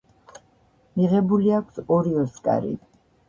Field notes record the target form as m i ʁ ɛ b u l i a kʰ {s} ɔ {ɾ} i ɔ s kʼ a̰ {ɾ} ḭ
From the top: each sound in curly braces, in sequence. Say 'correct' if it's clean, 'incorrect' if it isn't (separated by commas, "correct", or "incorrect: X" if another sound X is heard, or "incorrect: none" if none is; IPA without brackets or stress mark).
correct, correct, correct